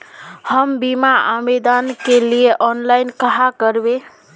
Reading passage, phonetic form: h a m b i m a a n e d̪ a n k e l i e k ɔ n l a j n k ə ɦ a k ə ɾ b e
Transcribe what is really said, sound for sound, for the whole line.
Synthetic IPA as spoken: h ə m b i m a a m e d̪ a n k e l i e ʔ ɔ n l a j n k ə ɦ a k ə ɾ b e